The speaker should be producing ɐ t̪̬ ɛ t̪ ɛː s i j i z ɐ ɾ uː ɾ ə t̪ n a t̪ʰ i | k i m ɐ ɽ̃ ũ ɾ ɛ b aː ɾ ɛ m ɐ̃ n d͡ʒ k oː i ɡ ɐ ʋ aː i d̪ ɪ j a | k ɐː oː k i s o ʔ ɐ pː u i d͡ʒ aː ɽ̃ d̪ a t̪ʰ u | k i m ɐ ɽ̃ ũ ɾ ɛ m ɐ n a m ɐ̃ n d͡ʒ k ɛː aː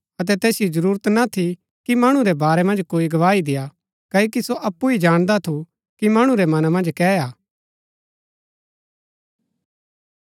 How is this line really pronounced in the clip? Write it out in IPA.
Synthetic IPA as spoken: ɐ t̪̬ ɛ t̪ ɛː s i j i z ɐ ɾ uː ɾ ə t̪ n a t̪ʰ i | k i m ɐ ɽ̃ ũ ɾ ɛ b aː ɾ ɛ m ɐ̃ n d͡ʒ k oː i ɡ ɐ ʋ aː i d̪ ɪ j a | k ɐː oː k i s o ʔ ɐ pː u i d͡ʒ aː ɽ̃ d̪ a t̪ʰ u | k i m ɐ ɽ̃ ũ ɾ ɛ m ɐ n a m ɐ̃ n d͡ʒ k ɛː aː